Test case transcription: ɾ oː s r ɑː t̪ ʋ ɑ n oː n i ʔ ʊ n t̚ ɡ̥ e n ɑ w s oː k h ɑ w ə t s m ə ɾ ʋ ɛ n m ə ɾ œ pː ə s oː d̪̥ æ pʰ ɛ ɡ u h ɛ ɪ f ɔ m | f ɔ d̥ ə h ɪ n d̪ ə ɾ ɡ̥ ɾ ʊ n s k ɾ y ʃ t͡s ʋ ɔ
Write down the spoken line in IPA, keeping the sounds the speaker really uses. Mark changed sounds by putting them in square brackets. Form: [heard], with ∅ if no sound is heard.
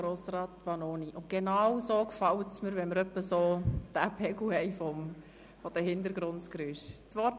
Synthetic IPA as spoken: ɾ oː s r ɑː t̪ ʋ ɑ n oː n i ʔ ʊ n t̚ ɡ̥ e n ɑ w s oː k [f] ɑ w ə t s m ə ɾ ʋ ɛ n m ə ɾ œ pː ə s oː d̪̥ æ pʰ ɛ ɡ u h ɛ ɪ f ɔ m | f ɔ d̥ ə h ɪ n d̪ ə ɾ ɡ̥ ɾ ʊ n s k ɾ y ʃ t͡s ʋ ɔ